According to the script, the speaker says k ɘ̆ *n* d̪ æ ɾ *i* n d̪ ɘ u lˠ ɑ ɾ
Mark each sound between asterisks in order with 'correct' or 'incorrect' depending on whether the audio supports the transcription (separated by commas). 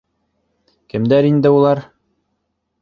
incorrect, correct